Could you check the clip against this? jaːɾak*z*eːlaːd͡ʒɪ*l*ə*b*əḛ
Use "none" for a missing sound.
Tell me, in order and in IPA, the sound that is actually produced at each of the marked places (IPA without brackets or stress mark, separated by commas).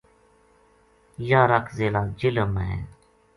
z, l, m